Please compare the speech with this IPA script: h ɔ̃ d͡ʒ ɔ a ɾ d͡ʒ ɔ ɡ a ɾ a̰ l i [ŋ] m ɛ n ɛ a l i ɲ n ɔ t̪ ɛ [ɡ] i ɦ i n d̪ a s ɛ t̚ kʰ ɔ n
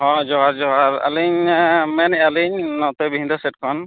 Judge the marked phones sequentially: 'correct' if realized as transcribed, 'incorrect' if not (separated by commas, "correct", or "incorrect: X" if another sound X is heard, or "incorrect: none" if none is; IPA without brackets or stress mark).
incorrect: ɲ, incorrect: b